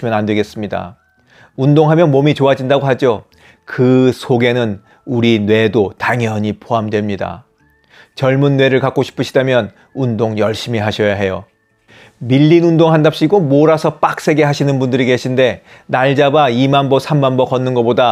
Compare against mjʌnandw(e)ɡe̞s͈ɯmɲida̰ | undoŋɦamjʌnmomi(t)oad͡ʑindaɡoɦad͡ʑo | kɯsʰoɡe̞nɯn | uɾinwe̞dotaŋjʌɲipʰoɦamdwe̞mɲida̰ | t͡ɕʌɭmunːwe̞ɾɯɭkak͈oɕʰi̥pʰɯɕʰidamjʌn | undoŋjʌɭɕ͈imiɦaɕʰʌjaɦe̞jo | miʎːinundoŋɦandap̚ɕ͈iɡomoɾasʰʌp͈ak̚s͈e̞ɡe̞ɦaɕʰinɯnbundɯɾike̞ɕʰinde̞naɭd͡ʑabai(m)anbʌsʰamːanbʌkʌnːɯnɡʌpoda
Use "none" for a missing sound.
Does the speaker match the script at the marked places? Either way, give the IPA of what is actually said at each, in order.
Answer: e, t͡ɕ, m

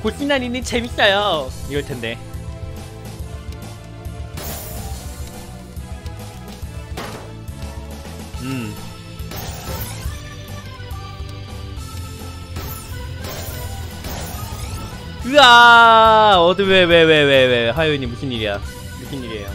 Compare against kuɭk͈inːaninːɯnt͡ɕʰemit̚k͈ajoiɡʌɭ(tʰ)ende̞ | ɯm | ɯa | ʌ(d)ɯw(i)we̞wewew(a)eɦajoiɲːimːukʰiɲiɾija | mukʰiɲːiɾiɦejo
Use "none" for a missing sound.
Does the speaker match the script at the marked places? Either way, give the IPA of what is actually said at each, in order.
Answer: tʰ, d, e, e

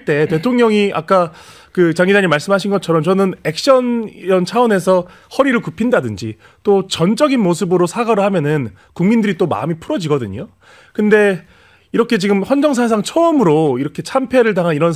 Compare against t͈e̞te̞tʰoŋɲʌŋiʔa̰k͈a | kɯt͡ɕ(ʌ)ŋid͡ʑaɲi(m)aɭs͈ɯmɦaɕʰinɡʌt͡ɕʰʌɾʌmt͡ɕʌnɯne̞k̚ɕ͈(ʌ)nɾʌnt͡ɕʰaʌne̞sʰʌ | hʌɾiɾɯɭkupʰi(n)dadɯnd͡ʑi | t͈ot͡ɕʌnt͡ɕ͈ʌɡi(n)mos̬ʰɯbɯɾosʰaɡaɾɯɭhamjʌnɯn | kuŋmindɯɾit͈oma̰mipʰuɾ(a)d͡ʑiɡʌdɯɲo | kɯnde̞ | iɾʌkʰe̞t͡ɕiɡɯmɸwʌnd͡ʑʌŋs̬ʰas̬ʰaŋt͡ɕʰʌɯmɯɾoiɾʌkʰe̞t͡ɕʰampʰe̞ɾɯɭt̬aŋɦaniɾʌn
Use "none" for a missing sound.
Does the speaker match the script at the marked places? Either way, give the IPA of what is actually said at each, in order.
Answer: a, m, ʌ, n, n, ʌ

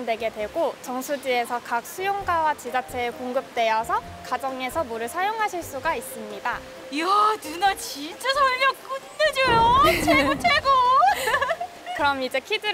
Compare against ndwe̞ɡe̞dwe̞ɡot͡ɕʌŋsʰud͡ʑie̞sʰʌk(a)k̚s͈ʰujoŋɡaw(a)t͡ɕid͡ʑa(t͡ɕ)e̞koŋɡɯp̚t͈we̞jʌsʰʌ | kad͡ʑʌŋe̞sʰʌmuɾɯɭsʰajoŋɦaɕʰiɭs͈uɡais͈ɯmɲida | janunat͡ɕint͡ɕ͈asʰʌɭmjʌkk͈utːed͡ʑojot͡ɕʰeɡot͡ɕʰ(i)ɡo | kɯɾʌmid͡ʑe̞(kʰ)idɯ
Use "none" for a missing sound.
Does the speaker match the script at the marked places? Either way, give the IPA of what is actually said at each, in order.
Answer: a, a, t͡ɕʰ, e, kʰ

